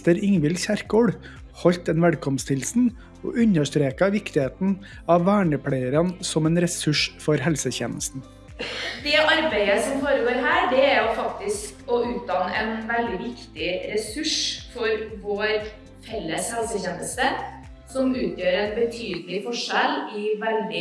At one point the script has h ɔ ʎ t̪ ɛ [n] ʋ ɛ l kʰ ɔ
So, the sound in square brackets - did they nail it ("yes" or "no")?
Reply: yes